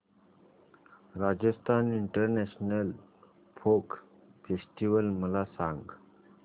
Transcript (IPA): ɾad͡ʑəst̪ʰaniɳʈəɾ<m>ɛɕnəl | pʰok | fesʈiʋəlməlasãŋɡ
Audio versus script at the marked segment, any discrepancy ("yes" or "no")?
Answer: yes